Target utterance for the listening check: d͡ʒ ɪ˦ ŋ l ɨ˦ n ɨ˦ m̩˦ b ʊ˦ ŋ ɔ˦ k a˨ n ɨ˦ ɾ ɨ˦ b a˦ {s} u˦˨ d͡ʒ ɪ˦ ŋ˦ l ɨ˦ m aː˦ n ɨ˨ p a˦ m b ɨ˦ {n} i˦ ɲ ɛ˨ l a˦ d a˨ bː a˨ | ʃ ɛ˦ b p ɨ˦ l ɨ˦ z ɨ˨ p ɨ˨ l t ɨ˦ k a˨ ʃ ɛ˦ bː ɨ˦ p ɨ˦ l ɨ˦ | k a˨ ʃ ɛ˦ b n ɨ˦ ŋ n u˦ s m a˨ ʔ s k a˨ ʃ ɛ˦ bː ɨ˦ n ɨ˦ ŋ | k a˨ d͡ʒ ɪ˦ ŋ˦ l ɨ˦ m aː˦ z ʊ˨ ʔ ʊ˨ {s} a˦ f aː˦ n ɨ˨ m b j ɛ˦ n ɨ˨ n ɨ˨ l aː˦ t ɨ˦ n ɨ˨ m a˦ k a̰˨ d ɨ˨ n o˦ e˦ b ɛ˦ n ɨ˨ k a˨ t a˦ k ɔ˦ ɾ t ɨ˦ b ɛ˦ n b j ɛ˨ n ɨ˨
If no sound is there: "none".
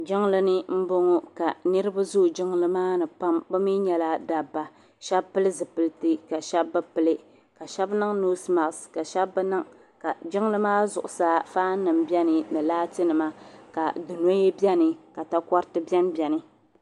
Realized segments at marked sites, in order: z, m, s

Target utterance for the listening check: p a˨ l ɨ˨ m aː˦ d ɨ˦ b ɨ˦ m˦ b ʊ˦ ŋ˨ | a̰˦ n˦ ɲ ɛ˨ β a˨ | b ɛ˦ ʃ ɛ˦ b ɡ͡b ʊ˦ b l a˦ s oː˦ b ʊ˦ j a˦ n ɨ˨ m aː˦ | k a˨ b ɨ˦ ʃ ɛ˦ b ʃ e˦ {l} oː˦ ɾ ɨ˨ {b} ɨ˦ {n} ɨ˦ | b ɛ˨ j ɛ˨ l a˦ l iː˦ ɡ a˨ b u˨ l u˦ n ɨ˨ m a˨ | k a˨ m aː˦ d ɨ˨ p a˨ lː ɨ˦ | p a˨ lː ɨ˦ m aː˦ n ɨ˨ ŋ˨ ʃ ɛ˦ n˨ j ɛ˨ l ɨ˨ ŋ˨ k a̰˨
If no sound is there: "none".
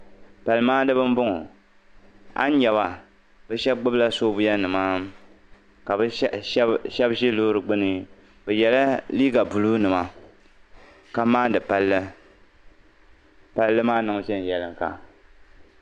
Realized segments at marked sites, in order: l, ɡ͡b, n

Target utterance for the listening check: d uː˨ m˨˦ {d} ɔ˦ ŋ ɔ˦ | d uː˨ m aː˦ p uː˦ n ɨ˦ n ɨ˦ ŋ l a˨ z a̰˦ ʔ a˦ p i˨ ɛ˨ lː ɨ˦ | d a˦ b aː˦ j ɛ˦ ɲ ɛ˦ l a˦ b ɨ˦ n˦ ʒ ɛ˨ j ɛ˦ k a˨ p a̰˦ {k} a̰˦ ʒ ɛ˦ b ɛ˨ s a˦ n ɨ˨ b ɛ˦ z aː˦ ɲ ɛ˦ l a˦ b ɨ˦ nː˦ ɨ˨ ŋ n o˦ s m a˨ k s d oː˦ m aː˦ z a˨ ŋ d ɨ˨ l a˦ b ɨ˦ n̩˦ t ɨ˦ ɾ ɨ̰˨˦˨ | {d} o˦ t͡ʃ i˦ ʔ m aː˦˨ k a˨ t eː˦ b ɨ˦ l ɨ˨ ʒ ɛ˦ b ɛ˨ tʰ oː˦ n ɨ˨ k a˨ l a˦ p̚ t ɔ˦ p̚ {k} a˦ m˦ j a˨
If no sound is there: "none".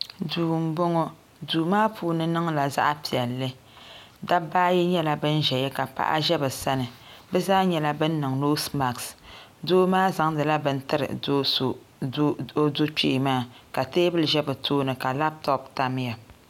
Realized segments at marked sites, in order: b, ʔ, d, t

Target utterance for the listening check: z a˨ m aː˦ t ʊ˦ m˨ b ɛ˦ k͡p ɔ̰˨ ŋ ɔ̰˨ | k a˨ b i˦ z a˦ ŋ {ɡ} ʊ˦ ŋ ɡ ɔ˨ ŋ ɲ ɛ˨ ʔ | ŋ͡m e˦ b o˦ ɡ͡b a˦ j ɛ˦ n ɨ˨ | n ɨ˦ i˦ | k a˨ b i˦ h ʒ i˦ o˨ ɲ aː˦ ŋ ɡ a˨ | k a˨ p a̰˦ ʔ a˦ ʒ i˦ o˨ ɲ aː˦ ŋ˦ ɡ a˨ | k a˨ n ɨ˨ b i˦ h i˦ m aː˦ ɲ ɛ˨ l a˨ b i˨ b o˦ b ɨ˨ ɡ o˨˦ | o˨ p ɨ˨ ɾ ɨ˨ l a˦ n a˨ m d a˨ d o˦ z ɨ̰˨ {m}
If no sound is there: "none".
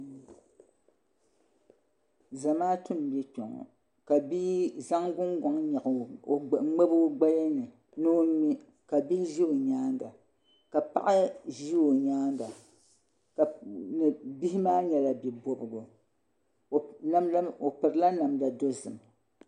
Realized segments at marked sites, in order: ɡ, m

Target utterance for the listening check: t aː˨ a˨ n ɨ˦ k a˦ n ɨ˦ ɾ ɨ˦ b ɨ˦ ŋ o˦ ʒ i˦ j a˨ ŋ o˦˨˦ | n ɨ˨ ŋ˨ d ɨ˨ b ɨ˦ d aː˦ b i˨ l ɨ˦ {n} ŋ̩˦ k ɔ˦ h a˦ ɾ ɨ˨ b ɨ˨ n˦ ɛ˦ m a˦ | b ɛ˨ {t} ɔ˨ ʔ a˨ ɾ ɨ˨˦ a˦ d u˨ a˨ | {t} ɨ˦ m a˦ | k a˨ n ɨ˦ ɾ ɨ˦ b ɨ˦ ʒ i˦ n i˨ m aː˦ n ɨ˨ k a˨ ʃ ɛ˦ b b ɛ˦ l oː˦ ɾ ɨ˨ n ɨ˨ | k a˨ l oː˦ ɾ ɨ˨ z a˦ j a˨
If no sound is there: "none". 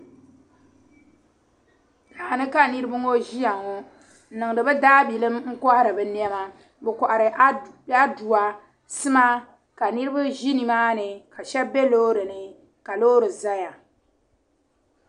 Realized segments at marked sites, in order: m, k, s

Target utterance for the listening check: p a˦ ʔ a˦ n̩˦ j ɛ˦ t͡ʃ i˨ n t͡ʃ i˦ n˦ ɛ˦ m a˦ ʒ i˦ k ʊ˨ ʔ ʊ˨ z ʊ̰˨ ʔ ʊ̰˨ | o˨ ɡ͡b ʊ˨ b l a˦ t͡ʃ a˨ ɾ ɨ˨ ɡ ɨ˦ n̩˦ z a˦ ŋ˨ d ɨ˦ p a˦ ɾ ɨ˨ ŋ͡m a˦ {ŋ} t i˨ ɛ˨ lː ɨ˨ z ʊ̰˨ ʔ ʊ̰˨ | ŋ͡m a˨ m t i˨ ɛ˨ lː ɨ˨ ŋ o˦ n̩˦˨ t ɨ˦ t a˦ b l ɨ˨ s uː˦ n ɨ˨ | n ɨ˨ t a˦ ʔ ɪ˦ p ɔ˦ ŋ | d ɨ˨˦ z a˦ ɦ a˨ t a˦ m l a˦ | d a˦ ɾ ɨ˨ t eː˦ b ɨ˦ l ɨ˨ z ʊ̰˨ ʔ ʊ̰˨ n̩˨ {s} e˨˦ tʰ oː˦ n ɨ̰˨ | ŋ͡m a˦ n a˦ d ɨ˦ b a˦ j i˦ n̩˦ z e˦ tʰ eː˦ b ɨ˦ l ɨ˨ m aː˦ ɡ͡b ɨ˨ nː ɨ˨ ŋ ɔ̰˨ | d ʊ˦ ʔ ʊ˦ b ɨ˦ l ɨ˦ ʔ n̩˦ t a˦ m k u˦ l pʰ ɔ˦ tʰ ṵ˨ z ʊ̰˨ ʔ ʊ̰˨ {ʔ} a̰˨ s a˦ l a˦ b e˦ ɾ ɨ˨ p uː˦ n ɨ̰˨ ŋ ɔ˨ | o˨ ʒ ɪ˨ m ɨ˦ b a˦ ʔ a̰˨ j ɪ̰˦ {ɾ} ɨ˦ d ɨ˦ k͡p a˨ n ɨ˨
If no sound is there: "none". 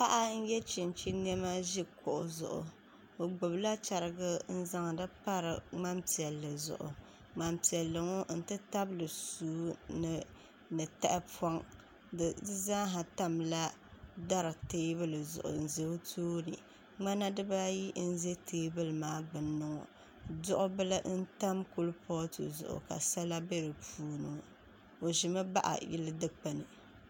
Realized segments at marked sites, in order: m, z, k, l

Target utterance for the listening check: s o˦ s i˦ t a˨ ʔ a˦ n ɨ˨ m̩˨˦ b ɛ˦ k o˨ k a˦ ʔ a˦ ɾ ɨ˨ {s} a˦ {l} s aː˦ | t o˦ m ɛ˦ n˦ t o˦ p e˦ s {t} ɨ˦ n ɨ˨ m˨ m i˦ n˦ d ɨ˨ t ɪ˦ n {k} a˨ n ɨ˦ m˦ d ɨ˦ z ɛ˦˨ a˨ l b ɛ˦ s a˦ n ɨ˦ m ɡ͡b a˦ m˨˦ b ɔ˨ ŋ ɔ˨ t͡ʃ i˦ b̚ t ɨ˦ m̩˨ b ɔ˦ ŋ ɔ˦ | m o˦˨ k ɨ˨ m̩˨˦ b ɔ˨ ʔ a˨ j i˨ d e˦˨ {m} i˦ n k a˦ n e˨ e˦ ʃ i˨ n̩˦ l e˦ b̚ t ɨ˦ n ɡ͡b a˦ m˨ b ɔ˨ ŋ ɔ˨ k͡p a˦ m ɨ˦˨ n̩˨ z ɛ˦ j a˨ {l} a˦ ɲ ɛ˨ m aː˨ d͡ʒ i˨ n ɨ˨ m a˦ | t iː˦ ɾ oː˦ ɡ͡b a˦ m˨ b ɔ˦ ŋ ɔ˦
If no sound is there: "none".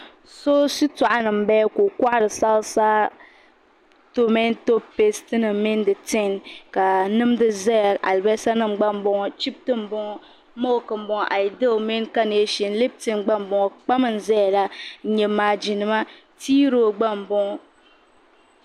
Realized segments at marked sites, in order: s, l, t, k, m, l

